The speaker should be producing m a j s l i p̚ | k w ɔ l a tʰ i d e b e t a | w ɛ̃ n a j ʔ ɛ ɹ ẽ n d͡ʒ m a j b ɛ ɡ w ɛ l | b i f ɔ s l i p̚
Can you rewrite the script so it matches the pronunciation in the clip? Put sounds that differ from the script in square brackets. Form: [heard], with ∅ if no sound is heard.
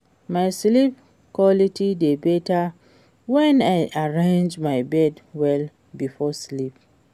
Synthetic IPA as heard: m a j s l i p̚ | k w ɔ l [i] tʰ i d e b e t a | w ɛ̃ n a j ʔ [a] ɹ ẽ n d͡ʒ m a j b ɛ [d] w ɛ l | b i f ɔ s l i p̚